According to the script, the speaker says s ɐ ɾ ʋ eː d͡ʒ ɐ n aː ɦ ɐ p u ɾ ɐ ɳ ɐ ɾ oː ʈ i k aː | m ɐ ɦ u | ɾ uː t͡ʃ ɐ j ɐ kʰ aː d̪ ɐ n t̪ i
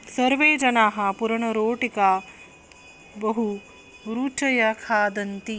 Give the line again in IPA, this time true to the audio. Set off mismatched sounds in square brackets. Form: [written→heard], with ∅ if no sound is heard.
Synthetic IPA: s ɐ ɾ ʋ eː d͡ʒ ɐ n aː ɦ ɐ p u ɾ ɐ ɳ ɐ ɾ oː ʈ i k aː | [m→b] ɐ ɦ u | ɾ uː t͡ʃ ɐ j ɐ kʰ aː d̪ ɐ n t̪ i

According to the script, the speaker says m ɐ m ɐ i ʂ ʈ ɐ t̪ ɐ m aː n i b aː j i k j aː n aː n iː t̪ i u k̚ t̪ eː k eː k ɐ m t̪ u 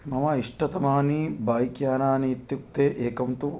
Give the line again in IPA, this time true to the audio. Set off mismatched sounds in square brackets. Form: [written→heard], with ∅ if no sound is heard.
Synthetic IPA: m ɐ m ɐ i ʂ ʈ ɐ t̪ ɐ m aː n i b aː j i k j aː n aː n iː t̪ [i→j] u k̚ t̪ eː [k→ʔ] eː k ɐ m t̪ u

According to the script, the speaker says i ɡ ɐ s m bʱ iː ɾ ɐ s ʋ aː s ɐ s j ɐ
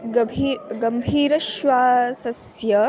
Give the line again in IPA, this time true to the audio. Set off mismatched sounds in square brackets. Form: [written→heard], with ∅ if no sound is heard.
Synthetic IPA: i ɡ ɐ [s→∅] m bʱ iː ɾ ɐ [s→ʃ] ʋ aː s ɐ s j ɐ

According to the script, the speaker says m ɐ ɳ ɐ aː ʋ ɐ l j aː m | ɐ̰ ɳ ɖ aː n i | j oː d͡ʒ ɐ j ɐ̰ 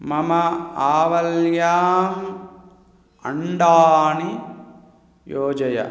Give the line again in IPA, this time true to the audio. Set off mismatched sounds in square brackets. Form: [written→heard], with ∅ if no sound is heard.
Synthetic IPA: m ɐ [ɳ→m] ɐ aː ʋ ɐ l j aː m | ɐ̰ ɳ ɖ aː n i | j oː d͡ʒ ɐ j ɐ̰

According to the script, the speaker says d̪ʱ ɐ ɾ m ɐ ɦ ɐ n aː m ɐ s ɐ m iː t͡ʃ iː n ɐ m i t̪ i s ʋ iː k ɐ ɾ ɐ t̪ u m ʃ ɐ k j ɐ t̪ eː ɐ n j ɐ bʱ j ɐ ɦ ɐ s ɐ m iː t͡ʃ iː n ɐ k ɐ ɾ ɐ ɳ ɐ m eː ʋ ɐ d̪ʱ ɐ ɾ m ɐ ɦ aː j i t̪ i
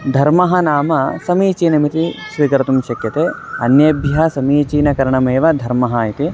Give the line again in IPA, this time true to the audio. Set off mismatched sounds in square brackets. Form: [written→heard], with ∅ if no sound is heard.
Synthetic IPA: d̪ʱ ɐ ɾ m ɐ ɦ ɐ n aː m ɐ s ɐ m iː t͡ʃ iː n ɐ m i t̪ i s ʋ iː k ɐ ɾ ɐ t̪ u m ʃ ɐ k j ɐ t̪ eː ɐ n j ɐ bʱ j ɐ ɦ ɐ s ɐ m iː t͡ʃ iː n ɐ k ɐ ɾ ɐ ɳ ɐ m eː ʋ ɐ d̪ʱ ɐ ɾ m ɐ ɦ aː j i t̪ i

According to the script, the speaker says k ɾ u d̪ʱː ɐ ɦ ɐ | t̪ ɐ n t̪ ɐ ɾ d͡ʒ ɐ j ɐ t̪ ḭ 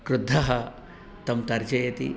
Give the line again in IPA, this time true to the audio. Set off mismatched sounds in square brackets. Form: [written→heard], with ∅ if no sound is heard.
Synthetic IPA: k ɾ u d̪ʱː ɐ ɦ ɐ | t̪ ɐ [n→m] t̪ ɐ ɾ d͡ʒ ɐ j ɐ t̪ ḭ

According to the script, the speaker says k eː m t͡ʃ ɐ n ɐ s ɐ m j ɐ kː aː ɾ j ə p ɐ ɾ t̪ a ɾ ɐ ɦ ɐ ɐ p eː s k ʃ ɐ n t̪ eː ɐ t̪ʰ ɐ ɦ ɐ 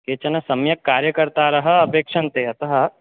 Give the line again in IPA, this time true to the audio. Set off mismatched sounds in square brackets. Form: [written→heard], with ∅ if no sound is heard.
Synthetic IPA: k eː [m→∅] t͡ʃ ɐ n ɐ s ɐ m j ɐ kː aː ɾ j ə [p→k] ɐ ɾ t̪ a ɾ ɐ ɦ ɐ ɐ p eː [s→∅] k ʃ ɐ n t̪ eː ɐ [t̪ʰ→t̪] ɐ ɦ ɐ

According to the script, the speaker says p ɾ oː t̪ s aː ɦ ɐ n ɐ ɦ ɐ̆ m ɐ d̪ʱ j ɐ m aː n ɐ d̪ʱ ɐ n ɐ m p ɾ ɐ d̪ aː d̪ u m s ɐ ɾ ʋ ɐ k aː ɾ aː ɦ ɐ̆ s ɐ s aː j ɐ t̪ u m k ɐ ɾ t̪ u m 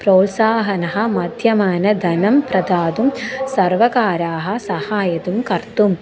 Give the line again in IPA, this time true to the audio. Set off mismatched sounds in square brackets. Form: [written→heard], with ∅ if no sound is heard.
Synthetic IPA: p ɾ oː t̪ s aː ɦ ɐ n ɐ ɦ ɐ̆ m ɐ d̪ʱ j ɐ m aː n ɐ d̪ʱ ɐ n ɐ m p ɾ ɐ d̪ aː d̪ u m s ɐ ɾ ʋ ɐ k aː ɾ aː ɦ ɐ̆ s ɐ [s→h] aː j ɐ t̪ u m k ɐ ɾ t̪ u m

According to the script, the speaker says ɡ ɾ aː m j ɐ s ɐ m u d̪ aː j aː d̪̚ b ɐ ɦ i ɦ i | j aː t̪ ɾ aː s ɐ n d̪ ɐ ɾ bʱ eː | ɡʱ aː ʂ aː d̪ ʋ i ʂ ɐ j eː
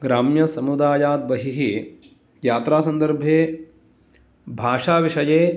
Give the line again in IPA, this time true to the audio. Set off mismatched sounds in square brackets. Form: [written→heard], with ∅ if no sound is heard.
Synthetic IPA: ɡ ɾ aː m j ɐ s ɐ m u d̪ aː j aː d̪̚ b ɐ ɦ i ɦ i | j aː t̪ ɾ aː s ɐ n d̪ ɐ ɾ bʱ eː | [ɡʱ→bʱ] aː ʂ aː [d̪→∅] ʋ i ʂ ɐ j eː

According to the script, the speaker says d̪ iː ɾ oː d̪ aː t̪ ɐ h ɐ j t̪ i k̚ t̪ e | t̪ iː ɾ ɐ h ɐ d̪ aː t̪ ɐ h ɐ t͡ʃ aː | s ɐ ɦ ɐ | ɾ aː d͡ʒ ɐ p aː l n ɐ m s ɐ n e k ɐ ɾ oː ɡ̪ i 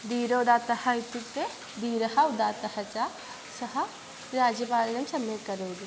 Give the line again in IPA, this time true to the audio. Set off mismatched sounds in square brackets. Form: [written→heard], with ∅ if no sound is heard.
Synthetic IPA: d̪ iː ɾ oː d̪ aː t̪ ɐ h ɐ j t̪ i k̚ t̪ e | [t̪→d̪] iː ɾ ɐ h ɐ d̪ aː t̪ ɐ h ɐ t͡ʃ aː | s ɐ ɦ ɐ | ɾ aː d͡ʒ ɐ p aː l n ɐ m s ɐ [n→m] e k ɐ ɾ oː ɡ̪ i

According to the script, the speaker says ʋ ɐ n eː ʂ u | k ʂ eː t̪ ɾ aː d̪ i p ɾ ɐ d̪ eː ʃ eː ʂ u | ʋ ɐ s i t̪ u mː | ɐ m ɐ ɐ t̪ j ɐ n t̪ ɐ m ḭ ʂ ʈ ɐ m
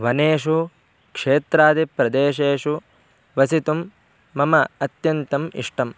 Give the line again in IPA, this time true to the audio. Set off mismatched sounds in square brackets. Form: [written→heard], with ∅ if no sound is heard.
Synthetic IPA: ʋ ɐ n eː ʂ u | k ʂ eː t̪ ɾ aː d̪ i p ɾ ɐ d̪ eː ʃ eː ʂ u | ʋ ɐ s i t̪ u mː | ɐ m ɐ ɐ t̪ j ɐ n t̪ ɐ m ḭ ʂ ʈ ɐ m

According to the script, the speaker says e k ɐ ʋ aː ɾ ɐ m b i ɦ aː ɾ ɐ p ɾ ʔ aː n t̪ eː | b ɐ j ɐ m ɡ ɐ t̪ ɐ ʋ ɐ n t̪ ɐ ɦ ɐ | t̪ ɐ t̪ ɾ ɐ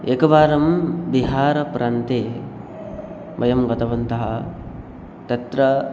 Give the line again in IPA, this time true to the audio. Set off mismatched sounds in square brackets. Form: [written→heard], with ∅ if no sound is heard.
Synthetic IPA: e k ɐ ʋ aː ɾ ɐ m b i ɦ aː ɾ ɐ p ɾ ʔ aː n t̪ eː | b ɐ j ɐ m ɡ ɐ t̪ ɐ ʋ ɐ n t̪ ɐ ɦ ɐ | t̪ ɐ t̪ ɾ ɐ

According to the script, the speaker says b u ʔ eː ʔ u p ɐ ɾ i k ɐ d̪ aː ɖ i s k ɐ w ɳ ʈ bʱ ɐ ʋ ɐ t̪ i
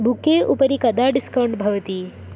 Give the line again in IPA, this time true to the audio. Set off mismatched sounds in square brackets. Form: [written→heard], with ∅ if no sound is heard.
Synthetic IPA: b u [ʔ→k] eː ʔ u p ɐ ɾ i k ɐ d̪ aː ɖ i s k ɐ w ɳ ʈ bʱ ɐ ʋ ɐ t̪ i

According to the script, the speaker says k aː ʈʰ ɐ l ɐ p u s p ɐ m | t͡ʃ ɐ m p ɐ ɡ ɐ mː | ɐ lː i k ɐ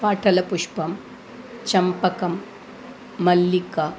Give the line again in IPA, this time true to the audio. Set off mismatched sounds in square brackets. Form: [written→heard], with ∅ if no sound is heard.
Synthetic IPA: [k→p] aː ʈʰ ɐ l ɐ p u [s→ʂ] p ɐ m | t͡ʃ ɐ m p ɐ [ɡ→k] ɐ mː | ɐ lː i k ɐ

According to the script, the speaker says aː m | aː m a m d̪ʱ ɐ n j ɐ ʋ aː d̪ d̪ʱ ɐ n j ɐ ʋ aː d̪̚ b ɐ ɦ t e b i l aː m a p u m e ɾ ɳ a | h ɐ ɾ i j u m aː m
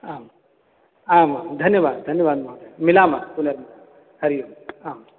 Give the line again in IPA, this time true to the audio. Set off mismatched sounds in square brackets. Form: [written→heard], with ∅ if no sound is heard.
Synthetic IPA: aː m | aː m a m d̪ʱ ɐ n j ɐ ʋ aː d̪ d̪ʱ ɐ n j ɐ ʋ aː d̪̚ [b→m] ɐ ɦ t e [b→m] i l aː m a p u [m→n] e ɾ [ɳ→m] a | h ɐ ɾ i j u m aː m

